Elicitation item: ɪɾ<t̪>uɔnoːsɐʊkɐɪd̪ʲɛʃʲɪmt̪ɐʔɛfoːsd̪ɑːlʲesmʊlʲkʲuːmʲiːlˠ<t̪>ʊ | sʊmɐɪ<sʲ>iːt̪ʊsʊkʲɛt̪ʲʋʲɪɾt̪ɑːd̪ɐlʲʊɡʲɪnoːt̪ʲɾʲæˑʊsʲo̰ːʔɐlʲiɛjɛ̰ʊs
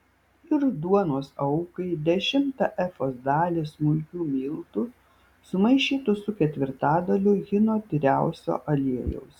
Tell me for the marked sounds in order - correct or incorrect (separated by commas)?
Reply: incorrect, correct, incorrect